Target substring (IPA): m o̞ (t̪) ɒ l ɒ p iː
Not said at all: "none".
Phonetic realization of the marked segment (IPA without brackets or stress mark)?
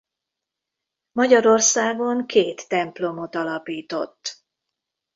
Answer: t̪